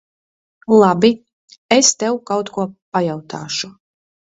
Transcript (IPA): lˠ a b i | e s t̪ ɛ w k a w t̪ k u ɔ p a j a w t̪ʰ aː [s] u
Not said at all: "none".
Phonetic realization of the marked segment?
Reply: ʃ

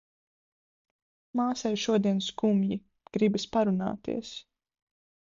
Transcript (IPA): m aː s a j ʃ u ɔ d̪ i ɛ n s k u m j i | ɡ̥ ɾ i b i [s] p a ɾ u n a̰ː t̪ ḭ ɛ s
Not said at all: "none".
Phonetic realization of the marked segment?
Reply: s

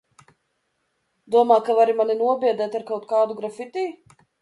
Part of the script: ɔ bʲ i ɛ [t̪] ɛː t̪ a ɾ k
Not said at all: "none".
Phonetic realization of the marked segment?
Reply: d̪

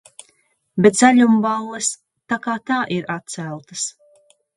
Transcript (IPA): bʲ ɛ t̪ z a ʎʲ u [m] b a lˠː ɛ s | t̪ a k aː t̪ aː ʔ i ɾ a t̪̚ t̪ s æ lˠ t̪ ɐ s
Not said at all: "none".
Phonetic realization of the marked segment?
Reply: m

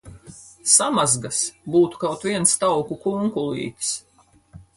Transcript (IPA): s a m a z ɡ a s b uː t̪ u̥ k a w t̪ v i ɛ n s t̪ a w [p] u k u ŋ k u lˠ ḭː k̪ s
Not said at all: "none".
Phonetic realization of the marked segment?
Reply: k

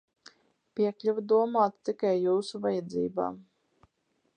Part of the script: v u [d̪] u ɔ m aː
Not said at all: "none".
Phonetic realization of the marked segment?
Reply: d̪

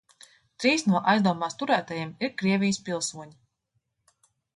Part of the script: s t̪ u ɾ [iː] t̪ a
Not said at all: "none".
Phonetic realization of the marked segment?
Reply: æː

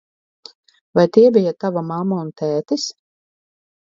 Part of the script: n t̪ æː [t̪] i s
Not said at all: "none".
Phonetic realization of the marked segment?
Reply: t̪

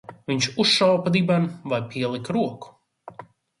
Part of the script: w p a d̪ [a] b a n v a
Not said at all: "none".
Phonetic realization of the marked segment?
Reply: i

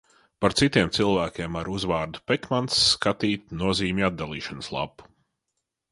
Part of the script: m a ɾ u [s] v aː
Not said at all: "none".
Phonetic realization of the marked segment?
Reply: z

